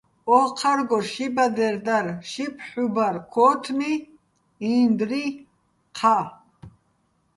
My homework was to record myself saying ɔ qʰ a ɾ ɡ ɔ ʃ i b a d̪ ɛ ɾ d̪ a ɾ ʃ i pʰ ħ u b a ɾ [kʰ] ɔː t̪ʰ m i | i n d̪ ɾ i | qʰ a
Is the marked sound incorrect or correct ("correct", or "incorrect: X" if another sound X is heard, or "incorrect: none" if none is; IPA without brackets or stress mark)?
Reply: correct